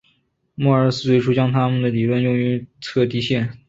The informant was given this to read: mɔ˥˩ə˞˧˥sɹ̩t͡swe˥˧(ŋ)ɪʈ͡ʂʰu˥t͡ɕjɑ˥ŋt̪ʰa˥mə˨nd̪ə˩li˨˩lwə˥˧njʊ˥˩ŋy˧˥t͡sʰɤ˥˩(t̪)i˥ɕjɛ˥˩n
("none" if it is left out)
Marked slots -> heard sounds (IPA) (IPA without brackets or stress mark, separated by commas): none, t̪